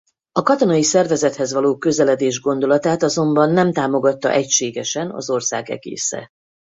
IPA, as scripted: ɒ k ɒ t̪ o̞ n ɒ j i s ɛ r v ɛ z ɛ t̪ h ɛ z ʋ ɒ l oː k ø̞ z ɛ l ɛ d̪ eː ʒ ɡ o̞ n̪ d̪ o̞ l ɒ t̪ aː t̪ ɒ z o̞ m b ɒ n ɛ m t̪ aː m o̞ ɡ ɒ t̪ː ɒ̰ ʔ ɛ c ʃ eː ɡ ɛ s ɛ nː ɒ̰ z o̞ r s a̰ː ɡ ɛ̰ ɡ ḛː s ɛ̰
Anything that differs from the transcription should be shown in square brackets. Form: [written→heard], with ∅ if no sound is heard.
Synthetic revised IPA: ɒ k ɒ t̪ o̞ n ɒ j i s ɛ r v ɛ z ɛ t̪ h ɛ z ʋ ɒ l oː k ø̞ z ɛ l ɛ d̪ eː ʒ ɡ o̞ n̪ d̪ o̞ l ɒ t̪ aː t̪ ɒ z o̞ m b ɒ [n→nː] ɛ m t̪ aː m o̞ ɡ ɒ t̪ː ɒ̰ ʔ ɛ c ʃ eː ɡ ɛ [s→ʃ] ɛ [nː→n] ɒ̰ z o̞ r s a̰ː ɡ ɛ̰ ɡ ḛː s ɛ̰